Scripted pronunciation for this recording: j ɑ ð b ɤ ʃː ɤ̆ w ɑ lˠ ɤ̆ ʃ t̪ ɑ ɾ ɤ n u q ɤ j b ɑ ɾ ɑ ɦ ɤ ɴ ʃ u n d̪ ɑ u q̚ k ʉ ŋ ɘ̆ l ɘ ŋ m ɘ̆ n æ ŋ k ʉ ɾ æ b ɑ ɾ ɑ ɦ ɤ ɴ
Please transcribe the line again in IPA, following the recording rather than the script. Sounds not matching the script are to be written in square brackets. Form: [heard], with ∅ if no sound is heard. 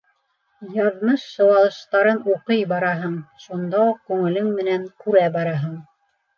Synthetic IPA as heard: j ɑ ð [m] ɤ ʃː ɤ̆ w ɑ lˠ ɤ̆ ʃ t̪ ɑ ɾ ɤ n u q ɤ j b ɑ ɾ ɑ ɦ ɤ ɴ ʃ u n d̪ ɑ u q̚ k ʉ ŋ ɘ̆ l ɘ ŋ m ɘ̆ n æ ŋ k ʉ ɾ æ b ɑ ɾ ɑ ɦ ɤ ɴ